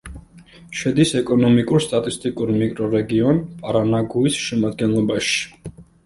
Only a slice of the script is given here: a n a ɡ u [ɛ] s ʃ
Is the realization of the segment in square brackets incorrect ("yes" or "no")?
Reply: yes